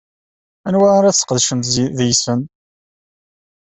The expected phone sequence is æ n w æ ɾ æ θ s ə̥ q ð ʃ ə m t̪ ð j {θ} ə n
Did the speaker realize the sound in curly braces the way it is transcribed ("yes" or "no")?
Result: no